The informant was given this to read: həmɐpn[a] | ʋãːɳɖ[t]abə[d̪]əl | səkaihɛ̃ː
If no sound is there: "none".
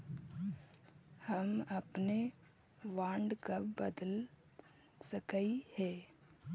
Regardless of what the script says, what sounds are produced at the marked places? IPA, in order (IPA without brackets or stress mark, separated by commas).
e, k, d̪